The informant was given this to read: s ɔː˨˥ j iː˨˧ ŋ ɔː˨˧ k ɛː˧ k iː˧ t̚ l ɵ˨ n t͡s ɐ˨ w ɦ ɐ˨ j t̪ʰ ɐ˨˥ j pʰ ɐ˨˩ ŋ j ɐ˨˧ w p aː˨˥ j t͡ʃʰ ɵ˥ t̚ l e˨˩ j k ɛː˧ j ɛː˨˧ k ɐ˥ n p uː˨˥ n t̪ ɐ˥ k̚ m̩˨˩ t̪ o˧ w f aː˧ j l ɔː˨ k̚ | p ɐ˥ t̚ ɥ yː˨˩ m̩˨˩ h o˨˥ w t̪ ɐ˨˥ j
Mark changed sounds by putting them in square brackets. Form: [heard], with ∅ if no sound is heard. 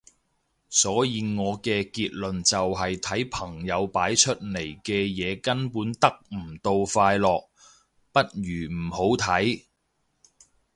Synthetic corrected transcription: s ɔː˨˥ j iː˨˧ ŋ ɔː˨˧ k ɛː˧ k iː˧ t̚ l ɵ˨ n t͡s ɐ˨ w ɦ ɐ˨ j t̪ʰ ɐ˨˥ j pʰ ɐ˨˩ ŋ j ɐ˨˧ w p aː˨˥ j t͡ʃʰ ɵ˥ t̚ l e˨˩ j k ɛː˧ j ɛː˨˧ k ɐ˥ n p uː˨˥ n t̪ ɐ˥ k̚ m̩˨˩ t̪ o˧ w f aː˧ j l ɔː˨ k̚ | p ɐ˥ t̚ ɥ yː˨˩ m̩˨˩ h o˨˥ w [t̪ʰ] ɐ˨˥ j